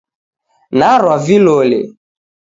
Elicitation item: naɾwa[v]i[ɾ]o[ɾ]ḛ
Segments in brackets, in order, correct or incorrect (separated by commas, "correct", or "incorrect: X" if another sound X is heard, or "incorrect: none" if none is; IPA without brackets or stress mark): correct, incorrect: l, incorrect: l